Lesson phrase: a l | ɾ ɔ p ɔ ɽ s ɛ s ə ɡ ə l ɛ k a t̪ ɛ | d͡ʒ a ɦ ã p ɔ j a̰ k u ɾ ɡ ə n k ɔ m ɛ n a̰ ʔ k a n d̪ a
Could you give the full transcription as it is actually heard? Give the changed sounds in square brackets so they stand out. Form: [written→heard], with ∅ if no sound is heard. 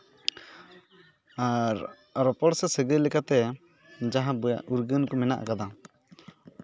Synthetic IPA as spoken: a [l→ɾ] | ɾ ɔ p ɔ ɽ s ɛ s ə ɡ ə l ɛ k a t̪ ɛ | d͡ʒ a ɦ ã [p→b] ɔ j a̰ [k→ʔ] u ɾ ɡ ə n k ɔ m ɛ n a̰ ʔ k a [n→∅] d̪ a